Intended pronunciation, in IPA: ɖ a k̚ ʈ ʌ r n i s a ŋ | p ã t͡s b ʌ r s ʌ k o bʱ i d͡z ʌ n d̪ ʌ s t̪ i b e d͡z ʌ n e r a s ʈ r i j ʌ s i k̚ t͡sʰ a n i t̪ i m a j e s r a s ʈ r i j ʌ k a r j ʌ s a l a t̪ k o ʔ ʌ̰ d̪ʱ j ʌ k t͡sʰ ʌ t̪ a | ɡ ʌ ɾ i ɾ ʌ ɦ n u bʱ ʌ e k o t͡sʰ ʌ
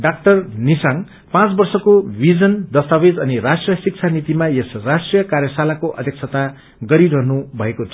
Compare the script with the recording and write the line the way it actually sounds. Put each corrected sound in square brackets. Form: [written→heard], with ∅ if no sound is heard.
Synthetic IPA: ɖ a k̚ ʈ ʌ r n i s a ŋ | p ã t͡s b ʌ r s ʌ k o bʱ i d͡z ʌ n d̪ ʌ s t̪ [i→a] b e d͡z ʌ n [e→i] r a s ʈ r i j ʌ s i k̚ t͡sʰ a n i t̪ i m a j e s r a s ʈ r i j ʌ k a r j ʌ s a l a [t̪→∅] k o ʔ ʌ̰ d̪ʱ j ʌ k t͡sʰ ʌ t̪ a | ɡ ʌ ɾ i ɾ ʌ ɦ n u bʱ ʌ e k o t͡sʰ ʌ